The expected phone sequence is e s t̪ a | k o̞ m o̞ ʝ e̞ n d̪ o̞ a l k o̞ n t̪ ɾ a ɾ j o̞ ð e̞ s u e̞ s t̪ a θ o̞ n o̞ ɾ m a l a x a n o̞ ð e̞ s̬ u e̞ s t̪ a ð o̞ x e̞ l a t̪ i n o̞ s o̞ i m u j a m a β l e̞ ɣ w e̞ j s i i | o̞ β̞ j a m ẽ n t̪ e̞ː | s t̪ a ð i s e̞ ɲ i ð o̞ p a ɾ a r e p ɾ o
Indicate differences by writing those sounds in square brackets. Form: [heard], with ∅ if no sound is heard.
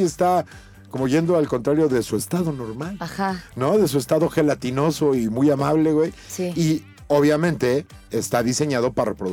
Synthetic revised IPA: e s t̪ a | k o̞ m o̞ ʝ e̞ n d̪ o̞ a l k o̞ n t̪ ɾ a ɾ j o̞ ð e̞ s u e̞ s t̪ a [ð] o̞ n o̞ ɾ m a l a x a n o̞ ð e̞ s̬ u e̞ s t̪ a ð o̞ x e̞ l a t̪ i n o̞ s o̞ i m u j a m a β l e̞ ɣ w e̞ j s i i | o̞ β̞ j a m ẽ n t̪ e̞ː | s t̪ a ð i s e̞ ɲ [a] ð o̞ p a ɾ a r e p ɾ o